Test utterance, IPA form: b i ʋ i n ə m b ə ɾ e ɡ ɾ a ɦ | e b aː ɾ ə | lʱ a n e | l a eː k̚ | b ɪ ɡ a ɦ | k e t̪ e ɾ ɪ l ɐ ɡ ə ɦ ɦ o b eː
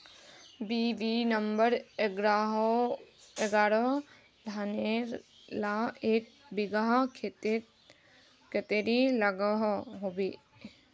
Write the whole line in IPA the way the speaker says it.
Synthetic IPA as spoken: b i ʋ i n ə m b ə ɾ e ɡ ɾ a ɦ | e ɡ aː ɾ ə | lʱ a n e | l a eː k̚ | b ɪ ɡ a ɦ | k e t̪ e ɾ i l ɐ ɡ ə ɦ ɦ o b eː